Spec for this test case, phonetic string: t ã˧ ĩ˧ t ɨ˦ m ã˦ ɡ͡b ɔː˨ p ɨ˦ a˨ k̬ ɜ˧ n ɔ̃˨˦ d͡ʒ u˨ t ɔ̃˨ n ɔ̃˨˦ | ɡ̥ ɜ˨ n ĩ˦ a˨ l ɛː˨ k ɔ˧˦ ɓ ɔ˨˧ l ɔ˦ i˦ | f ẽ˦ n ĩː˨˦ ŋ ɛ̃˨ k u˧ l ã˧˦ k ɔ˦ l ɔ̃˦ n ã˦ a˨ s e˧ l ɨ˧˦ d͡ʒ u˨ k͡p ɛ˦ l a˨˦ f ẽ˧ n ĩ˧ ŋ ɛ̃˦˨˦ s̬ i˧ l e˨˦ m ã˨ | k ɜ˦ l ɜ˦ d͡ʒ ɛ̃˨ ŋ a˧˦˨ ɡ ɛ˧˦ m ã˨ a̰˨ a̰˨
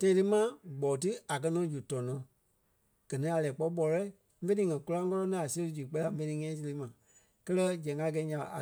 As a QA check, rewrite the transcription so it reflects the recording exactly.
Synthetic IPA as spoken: t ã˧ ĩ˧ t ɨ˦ m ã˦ ɡ͡b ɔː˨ t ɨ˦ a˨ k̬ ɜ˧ n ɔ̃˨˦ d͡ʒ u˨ t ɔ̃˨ n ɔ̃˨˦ | ɡ̥ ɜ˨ n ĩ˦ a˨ l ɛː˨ k͡p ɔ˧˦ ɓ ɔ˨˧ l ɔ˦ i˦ | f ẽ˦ n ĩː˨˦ ŋ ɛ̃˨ k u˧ l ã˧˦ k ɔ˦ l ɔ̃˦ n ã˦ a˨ s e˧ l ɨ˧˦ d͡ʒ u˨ k͡p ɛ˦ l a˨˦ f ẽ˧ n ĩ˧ ŋ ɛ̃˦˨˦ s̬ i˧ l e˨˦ m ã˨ | k ɜ˦ l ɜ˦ d͡ʒ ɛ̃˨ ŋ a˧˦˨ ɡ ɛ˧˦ ɲ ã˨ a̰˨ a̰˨